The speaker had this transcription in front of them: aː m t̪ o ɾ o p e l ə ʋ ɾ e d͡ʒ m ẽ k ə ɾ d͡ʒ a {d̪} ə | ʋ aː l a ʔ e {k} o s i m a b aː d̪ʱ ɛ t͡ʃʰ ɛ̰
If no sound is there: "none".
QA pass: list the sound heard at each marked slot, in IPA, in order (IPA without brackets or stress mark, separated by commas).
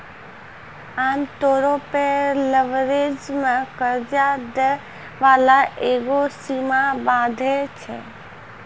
d̪, ɡ